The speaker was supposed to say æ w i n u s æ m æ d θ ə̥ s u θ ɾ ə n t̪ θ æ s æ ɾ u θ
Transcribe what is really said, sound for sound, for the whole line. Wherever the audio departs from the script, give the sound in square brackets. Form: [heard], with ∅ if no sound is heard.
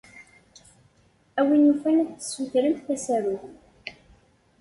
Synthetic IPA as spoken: æ w i n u [f] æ [n] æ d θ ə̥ s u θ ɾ ə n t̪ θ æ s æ ɾ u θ